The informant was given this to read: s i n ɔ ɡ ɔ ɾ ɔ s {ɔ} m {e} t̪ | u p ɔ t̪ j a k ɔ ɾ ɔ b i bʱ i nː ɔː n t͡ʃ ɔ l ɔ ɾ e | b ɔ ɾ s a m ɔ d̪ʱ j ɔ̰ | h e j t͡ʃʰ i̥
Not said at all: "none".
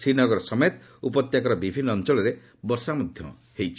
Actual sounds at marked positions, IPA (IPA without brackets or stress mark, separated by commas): ɔ, e